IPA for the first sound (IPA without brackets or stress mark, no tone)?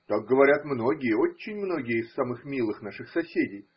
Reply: t̪